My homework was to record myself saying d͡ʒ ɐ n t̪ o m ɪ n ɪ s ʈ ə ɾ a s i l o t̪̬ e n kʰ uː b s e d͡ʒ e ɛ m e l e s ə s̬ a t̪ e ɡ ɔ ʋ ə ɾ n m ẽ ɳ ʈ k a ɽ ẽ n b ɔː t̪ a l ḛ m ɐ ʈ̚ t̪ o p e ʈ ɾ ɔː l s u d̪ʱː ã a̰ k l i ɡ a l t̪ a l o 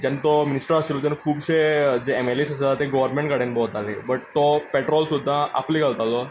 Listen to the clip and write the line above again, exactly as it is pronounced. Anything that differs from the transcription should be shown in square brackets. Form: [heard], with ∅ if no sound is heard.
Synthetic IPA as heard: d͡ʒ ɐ n t̪ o m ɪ n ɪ s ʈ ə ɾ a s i l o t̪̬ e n kʰ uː b s e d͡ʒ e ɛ m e l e s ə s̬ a t̪ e ɡ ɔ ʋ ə ɾ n m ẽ ɳ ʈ k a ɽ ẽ n b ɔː t̪ a l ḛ [b] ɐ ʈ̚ t̪ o p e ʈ ɾ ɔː l s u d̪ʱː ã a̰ [p] l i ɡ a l t̪ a l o